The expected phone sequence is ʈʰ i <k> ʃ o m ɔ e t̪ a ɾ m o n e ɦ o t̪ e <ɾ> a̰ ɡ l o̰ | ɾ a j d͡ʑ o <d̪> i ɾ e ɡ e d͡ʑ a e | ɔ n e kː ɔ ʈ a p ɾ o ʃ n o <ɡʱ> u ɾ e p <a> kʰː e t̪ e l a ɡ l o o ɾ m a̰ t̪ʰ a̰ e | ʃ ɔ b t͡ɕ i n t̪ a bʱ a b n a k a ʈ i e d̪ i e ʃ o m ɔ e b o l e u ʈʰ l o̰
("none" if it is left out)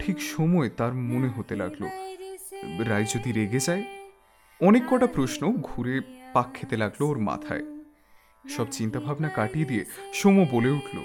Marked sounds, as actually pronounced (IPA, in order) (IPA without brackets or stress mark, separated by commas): k, l, d̪, ɡʱ, a